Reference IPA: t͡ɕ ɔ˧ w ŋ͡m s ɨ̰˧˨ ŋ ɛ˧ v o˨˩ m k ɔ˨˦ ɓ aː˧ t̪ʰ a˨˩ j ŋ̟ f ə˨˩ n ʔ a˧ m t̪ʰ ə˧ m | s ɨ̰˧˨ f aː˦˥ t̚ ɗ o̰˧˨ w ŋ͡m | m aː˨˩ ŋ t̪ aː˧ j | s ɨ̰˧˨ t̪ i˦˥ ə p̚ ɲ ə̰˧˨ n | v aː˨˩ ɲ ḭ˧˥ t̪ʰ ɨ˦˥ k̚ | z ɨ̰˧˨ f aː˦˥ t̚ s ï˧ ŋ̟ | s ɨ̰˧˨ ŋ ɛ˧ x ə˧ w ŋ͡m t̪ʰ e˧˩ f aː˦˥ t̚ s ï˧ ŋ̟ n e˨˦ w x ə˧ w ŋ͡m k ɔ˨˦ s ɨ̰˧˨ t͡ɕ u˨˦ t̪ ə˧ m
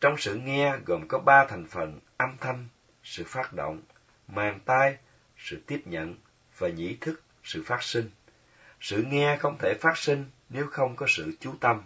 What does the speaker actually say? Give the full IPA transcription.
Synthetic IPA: t͡ɕ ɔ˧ w ŋ͡m s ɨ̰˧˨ ŋ ɛ˧ ɣ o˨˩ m k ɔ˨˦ ɓ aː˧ t̪ʰ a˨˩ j ŋ̟ f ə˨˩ n ʔ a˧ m t̪ʰ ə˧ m | s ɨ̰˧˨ f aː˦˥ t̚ ɗ o̰˧˨ w ŋ͡m | m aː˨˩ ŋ t̪ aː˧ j | s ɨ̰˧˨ t̪ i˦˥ ə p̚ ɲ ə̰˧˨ n | v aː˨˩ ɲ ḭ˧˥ t̪ʰ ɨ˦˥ k̚ | s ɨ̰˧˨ f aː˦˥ t̚ s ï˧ ŋ̟ | s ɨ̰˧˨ ŋ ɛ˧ x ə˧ w ŋ͡m t̪ʰ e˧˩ f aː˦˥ t̚ s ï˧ ŋ̟ n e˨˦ w x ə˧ w ŋ͡m k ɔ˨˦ s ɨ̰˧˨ t͡ɕ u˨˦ t̪ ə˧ m